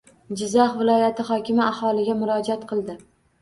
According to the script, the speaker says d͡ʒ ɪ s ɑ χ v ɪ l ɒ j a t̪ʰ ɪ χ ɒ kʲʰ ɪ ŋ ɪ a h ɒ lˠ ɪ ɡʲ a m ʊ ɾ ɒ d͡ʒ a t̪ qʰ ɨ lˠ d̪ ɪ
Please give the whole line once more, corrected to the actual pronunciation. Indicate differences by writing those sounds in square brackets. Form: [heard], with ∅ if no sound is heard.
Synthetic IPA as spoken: d͡ʒ ɪ [z] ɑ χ v ɪ l ɒ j a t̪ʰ ɪ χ ɒ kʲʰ ɪ [m] ɪ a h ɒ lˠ ɪ ɡʲ a m ʊ ɾ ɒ d͡ʒ a t̪ qʰ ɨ lˠ d̪ ɪ